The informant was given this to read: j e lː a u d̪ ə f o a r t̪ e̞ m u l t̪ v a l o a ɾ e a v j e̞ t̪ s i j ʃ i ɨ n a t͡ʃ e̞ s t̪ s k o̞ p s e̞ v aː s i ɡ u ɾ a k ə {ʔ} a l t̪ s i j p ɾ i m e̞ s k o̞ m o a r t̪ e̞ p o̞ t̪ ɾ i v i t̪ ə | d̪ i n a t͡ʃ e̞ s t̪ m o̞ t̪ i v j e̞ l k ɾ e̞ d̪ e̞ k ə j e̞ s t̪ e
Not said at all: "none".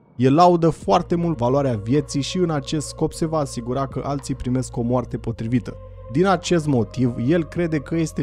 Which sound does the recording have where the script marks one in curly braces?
ʔ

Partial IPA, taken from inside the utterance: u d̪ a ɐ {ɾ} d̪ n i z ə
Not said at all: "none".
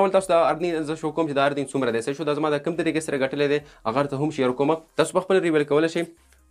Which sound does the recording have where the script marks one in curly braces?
ɾ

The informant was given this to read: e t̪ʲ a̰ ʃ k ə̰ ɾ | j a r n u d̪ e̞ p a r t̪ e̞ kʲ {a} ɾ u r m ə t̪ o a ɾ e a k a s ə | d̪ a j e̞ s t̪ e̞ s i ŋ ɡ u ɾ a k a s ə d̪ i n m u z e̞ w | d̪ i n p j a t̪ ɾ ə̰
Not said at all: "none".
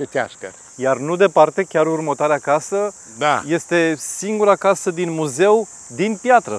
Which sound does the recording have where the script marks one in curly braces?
a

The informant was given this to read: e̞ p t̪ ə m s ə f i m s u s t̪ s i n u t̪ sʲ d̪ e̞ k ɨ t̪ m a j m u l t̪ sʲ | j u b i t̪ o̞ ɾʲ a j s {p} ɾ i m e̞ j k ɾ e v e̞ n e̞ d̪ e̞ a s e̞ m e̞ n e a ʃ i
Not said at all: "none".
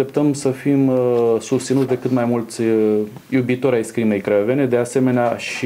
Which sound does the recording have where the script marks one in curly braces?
k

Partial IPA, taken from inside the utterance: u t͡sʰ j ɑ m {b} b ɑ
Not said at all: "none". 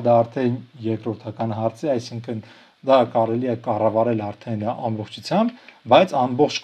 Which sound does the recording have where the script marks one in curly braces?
b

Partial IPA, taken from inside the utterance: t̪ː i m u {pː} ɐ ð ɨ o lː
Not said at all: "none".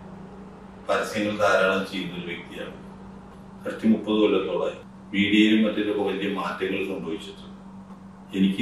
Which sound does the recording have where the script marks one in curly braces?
pː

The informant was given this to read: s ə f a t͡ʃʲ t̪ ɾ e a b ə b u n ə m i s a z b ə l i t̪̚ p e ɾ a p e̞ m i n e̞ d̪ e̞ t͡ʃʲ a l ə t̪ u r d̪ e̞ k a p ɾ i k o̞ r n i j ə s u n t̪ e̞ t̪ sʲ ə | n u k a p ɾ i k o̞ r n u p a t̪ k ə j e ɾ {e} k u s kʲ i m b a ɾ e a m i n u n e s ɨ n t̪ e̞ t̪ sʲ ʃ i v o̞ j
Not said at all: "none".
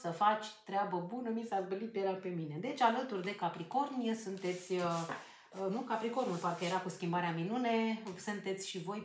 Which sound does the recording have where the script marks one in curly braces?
a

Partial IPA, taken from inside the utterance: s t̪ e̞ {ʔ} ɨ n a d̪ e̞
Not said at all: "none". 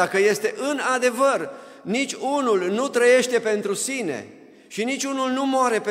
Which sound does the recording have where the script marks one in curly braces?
ʔ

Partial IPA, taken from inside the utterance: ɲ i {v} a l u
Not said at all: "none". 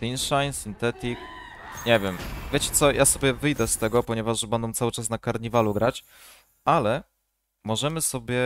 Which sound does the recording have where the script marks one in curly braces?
v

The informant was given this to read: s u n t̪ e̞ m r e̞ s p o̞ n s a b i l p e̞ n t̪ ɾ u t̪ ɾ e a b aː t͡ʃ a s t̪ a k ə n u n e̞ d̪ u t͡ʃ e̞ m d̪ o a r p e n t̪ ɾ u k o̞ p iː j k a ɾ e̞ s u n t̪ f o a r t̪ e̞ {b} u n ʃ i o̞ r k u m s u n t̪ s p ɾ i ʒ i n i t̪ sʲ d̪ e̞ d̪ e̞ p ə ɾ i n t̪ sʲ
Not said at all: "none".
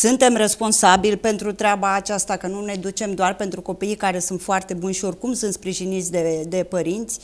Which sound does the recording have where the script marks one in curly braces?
b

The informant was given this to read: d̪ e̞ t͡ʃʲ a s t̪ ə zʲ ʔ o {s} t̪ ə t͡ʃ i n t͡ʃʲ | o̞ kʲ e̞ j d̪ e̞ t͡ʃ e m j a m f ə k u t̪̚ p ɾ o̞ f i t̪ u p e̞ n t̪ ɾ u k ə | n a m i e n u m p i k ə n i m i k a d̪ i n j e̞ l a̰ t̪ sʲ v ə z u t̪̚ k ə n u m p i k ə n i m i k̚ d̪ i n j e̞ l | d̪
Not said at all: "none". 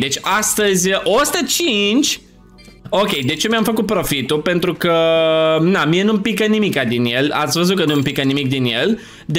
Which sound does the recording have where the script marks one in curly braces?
s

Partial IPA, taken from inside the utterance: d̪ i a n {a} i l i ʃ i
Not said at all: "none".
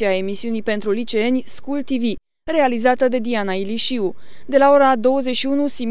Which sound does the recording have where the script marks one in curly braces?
a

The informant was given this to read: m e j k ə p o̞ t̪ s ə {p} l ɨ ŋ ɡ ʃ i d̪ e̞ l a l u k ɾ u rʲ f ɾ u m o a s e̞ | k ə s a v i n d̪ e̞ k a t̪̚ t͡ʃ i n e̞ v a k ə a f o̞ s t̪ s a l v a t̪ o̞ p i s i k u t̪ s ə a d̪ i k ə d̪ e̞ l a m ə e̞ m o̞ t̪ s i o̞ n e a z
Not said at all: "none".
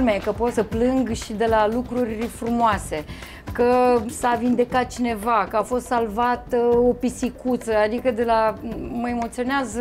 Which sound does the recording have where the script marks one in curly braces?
p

